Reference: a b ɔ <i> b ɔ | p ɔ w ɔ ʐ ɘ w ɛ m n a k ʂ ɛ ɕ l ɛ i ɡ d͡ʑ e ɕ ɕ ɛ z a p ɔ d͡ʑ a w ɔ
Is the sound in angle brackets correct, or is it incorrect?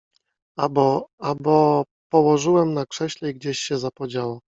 incorrect